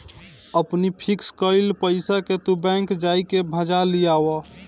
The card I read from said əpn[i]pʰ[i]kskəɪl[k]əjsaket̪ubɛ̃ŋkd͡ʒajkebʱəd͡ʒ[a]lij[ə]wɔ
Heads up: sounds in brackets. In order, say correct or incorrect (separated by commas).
correct, correct, incorrect, correct, incorrect